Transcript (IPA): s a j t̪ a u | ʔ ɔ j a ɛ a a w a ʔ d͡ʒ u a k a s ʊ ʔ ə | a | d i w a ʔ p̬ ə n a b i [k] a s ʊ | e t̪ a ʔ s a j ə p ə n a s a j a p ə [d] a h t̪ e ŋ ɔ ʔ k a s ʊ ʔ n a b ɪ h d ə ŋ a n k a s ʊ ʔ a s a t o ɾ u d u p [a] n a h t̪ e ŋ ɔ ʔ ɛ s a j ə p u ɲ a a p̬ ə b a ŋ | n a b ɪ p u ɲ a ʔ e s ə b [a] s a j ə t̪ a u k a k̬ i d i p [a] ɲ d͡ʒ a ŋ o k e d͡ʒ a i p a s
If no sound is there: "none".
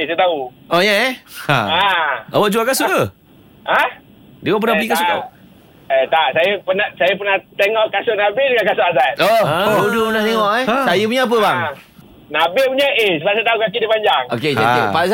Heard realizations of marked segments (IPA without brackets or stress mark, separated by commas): k, n, ə, a, a